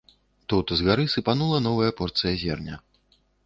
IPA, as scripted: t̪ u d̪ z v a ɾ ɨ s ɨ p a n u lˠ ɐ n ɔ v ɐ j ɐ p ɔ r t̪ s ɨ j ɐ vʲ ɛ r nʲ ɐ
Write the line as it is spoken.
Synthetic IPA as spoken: t̪ u t̪ z ɣ a ɾ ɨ s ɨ p a n u lˠ ɐ n ɔ v ɐ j ɐ p ɔ r t̪ s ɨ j ɐ zʲ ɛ r nʲ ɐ